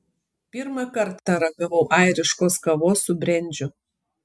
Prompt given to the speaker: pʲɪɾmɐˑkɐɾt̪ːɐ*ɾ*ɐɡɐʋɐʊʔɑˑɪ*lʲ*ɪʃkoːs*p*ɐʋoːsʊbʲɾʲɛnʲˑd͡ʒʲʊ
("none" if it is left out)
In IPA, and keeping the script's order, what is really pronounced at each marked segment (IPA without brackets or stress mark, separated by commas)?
ɾ, ɾʲ, k